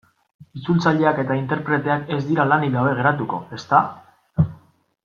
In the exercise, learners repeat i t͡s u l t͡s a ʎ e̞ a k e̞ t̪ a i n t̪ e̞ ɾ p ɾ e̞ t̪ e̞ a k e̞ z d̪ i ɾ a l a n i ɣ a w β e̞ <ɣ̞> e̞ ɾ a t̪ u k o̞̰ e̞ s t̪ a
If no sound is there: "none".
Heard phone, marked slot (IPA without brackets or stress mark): ɣ̞